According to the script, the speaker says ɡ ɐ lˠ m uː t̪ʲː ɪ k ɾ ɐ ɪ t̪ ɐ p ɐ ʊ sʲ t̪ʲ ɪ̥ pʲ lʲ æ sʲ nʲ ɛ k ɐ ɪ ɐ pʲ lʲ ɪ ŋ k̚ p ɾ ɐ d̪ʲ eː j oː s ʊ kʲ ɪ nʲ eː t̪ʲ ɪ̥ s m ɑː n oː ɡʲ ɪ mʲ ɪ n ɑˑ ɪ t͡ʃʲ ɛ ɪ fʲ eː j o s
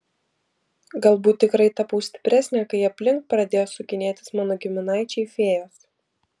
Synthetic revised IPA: ɡ ɐ lˠ b uː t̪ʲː ɪ k ɾ ɐ ɪ t̪ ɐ p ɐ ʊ sʲ t̪ʲ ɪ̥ pʲ ɾʲ æ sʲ nʲ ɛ k ɐ ɪ ɐ pʲ lʲ ɪ ŋ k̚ p ɾ ɐ d̪ʲ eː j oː s ʊ kʲ ɪ nʲ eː t̪ʲ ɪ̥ s m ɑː n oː ɡʲ ɪ mʲ ɪ n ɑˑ ɪ t͡ʃʲ ɛ ɪ fʲ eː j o s